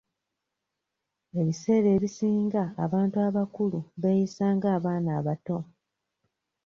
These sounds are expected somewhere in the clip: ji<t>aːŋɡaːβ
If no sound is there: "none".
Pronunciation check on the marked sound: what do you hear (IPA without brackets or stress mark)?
s